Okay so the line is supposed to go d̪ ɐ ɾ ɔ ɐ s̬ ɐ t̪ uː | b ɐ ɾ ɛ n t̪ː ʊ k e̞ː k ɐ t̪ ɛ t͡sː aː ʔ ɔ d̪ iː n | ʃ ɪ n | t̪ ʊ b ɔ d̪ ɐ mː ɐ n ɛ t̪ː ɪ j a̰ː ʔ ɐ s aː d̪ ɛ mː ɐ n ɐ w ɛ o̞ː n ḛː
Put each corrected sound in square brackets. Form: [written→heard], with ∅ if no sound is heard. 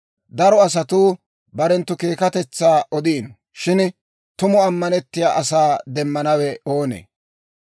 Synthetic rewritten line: d̪ ɐ ɾ ɔ ɐ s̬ ɐ t̪ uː | b ɐ ɾ ɛ n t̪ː ʊ k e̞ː k ɐ t̪ ɛ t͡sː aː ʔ ɔ d̪ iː n | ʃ ɪ n | t̪ ʊ [b→m] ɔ [d̪→∅] ɐ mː ɐ n ɛ t̪ː ɪ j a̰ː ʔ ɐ s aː d̪ ɛ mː ɐ n ɐ w ɛ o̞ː n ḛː